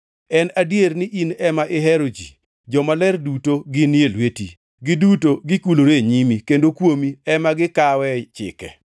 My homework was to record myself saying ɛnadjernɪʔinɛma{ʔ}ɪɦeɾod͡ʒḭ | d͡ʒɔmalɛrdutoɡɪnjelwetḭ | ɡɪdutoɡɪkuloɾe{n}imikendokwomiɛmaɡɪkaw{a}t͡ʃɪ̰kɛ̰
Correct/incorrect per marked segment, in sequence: correct, incorrect: ɲ, incorrect: ɛ

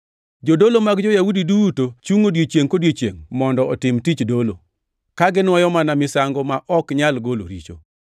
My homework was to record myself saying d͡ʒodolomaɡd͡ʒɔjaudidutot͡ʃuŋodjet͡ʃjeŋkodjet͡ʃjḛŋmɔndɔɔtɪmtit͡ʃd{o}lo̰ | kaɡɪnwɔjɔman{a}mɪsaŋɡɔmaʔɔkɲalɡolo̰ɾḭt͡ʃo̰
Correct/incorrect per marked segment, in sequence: correct, correct

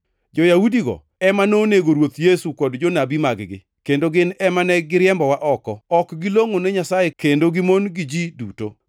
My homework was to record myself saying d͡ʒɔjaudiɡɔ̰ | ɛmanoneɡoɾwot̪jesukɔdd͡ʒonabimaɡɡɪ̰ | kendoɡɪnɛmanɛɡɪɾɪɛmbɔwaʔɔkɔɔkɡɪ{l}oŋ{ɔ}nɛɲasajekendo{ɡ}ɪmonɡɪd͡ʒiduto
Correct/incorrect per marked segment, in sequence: correct, incorrect: o, correct

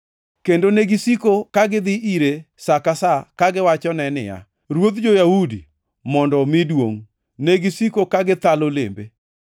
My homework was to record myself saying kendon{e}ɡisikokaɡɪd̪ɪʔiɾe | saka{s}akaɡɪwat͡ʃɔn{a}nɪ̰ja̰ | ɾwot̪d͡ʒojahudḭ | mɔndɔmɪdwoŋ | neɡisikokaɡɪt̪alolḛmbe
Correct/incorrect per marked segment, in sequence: correct, correct, incorrect: ɛ

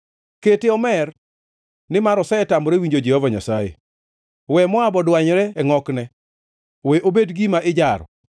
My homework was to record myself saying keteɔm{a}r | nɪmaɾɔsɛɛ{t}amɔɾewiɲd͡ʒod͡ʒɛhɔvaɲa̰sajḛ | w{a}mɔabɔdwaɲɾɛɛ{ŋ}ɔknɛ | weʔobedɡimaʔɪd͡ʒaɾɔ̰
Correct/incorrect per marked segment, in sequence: incorrect: ɛ, correct, incorrect: ɛ, correct

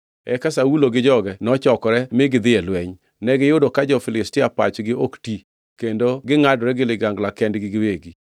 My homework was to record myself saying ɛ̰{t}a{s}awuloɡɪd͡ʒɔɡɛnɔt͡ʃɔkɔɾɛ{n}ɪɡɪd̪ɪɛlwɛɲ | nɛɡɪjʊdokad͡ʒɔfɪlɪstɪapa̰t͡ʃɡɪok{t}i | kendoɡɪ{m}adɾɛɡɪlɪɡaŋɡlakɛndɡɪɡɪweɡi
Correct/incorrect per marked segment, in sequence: incorrect: k, correct, incorrect: m, correct, incorrect: ŋ

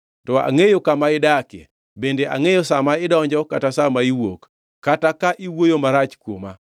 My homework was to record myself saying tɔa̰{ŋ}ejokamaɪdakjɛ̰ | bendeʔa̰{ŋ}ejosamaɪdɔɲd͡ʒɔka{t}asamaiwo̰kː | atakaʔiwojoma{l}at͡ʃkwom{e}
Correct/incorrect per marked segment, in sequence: correct, correct, correct, incorrect: ɾ, incorrect: a

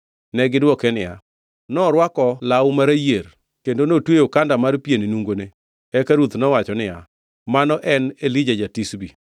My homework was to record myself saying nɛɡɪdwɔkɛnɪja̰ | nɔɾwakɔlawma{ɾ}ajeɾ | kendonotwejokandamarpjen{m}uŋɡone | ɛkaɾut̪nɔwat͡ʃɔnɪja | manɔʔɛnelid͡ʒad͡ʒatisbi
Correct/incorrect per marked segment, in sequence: correct, incorrect: n

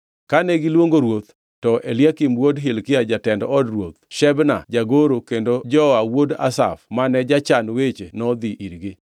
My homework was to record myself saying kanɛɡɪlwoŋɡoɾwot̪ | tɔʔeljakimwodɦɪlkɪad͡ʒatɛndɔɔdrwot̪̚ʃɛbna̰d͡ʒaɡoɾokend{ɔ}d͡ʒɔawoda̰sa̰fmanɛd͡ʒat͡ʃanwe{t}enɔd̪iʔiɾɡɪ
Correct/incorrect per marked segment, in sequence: incorrect: o, incorrect: t͡ʃ

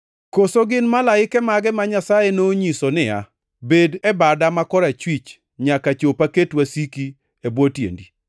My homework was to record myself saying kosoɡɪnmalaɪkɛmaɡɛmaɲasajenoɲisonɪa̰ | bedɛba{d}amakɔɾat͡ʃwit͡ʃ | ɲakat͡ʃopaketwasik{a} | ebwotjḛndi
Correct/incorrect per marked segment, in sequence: correct, incorrect: i

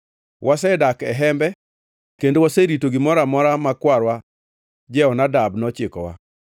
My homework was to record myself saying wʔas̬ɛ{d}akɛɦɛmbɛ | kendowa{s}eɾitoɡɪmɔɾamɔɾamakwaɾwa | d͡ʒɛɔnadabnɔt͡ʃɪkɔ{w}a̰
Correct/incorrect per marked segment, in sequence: correct, correct, correct

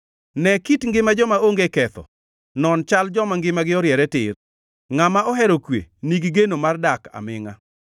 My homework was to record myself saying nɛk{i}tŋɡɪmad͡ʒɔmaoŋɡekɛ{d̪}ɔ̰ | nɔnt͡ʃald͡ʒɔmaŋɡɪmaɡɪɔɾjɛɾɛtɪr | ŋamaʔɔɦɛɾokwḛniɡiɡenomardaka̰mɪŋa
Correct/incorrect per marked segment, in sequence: correct, incorrect: t̪

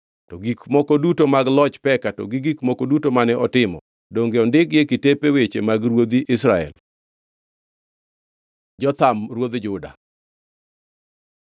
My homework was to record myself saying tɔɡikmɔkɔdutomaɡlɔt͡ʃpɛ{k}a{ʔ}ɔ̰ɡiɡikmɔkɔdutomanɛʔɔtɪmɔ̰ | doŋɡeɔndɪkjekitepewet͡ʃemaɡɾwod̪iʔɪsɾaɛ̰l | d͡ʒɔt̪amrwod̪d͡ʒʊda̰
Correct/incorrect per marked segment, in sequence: correct, incorrect: t

